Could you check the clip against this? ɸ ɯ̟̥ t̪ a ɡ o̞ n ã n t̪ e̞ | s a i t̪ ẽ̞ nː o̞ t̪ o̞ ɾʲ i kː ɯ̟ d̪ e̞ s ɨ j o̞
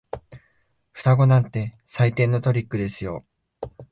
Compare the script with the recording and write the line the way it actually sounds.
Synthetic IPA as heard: ɸ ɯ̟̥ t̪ a ɡ o̞ n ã n t̪ e̞ | s a i t̪ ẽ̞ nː o̞ t̪ o̞ ɾʲ i kː ɯ̟ d̪ e̞ s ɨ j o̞